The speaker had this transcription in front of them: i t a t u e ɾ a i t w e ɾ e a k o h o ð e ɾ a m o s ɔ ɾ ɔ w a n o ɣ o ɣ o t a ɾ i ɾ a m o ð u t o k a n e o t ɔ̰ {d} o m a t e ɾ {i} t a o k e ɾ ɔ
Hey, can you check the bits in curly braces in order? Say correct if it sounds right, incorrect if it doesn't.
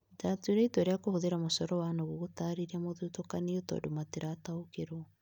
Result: correct, incorrect: a

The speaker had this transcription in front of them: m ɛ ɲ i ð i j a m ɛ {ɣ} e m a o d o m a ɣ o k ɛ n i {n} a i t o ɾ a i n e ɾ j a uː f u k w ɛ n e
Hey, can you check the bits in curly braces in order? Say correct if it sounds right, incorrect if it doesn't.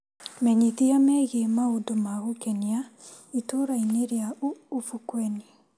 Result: correct, incorrect: none

